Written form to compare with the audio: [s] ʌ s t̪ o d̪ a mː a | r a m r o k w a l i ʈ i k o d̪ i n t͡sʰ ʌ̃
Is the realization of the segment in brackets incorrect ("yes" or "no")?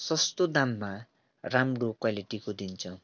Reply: no